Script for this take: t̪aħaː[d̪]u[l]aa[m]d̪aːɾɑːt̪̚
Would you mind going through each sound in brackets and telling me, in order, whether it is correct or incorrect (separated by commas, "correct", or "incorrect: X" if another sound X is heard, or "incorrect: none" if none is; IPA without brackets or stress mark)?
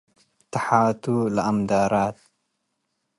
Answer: incorrect: t̪, correct, correct